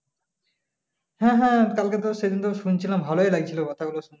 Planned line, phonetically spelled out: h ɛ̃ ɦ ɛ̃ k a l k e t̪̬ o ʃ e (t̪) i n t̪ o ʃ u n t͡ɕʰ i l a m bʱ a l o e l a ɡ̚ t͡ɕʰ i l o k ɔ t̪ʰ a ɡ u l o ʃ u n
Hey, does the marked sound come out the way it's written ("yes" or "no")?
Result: no